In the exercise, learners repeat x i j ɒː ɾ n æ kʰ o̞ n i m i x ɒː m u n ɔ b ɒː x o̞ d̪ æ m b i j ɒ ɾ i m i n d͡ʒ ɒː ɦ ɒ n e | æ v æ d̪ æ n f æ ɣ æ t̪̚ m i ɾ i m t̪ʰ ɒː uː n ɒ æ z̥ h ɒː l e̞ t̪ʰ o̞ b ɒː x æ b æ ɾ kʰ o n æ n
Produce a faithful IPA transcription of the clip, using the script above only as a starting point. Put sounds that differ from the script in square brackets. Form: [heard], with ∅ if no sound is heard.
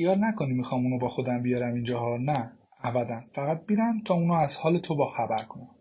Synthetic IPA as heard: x i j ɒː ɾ n æ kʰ o̞ n i m i x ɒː m u n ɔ b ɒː x o̞ d̪ æ m b i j ɒ ɾ [æ] m i n d͡ʒ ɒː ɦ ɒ n [æ] | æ v æ d̪ æ n f æ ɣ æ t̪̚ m i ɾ [æ] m t̪ʰ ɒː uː n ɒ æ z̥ h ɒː l e̞ t̪ʰ o̞ b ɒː x æ b æ ɾ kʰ o n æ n